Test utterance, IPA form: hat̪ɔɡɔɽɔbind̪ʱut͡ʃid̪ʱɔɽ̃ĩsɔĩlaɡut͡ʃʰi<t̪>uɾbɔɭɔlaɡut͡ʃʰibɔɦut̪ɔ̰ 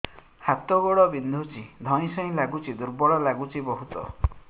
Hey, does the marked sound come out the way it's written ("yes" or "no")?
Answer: no